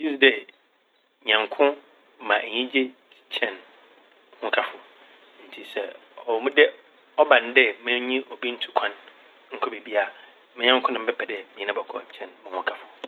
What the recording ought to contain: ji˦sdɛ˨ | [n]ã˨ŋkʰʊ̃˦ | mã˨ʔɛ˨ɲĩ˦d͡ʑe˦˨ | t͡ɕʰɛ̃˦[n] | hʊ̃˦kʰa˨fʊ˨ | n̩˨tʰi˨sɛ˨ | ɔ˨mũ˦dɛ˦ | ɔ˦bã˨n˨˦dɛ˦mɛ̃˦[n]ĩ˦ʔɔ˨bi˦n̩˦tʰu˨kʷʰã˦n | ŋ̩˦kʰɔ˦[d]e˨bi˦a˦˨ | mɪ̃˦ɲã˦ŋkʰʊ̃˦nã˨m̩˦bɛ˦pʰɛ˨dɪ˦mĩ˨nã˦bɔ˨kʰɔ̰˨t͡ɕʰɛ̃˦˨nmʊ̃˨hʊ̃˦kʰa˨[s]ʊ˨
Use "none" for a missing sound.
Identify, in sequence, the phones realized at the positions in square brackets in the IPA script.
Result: ɲ, n, ɲ, b, f

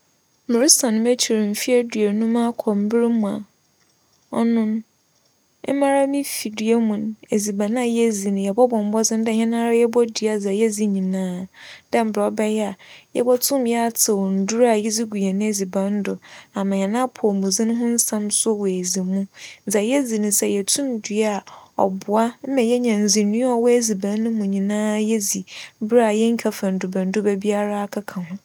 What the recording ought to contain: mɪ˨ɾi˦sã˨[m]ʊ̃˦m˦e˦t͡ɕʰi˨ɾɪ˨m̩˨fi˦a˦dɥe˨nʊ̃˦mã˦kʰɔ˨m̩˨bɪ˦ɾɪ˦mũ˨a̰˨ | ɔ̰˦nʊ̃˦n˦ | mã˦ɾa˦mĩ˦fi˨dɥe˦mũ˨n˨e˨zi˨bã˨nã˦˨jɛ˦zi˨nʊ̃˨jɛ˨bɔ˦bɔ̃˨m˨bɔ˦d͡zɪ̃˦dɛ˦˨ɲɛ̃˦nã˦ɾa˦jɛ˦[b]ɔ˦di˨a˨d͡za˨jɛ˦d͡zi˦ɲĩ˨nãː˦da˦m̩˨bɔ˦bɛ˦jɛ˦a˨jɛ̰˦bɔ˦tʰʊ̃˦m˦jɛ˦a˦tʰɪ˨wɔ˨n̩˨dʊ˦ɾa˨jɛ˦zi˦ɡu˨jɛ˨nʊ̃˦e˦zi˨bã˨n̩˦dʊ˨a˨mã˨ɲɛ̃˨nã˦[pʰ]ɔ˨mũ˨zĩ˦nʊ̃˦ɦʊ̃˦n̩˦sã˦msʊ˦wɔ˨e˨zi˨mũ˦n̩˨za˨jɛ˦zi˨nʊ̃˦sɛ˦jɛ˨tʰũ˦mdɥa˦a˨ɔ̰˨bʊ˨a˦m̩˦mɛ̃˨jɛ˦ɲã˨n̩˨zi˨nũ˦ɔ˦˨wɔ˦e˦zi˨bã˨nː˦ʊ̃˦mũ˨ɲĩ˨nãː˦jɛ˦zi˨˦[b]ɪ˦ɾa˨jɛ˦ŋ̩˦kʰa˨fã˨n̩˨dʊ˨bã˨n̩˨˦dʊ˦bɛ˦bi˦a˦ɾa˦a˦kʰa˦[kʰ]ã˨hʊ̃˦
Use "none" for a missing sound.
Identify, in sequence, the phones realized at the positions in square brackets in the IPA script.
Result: n, b, pʰ, b, kʰ

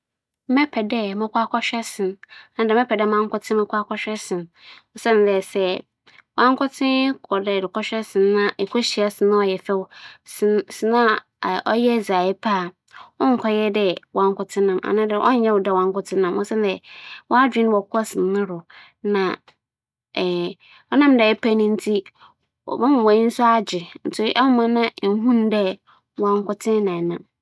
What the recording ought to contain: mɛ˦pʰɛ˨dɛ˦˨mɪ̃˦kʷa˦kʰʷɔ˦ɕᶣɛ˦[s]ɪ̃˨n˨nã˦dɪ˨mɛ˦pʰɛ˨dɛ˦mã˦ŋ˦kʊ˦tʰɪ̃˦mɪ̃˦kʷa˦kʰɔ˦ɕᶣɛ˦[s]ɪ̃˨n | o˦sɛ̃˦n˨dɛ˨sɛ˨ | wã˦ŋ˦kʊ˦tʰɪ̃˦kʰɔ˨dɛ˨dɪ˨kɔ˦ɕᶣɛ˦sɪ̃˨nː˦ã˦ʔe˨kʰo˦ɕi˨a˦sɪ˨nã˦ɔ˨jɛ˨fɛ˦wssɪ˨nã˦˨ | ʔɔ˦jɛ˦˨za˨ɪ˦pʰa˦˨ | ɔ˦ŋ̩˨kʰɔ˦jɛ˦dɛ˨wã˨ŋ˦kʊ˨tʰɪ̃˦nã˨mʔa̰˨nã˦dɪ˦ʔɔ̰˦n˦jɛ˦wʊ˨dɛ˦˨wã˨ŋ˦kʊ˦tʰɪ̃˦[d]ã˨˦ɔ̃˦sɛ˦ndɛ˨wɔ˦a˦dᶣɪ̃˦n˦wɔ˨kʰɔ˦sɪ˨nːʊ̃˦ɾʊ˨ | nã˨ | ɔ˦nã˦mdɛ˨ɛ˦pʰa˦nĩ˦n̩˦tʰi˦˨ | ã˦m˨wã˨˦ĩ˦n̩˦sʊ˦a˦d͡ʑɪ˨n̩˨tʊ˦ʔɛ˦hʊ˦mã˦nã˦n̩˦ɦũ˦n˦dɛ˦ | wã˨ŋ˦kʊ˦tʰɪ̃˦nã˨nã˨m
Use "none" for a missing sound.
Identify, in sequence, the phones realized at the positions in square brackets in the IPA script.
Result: s, s, n

